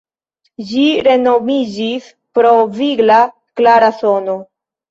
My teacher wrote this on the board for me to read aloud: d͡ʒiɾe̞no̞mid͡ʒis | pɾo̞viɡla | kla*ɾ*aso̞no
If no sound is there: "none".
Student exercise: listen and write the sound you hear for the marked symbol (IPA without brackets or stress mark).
ɾ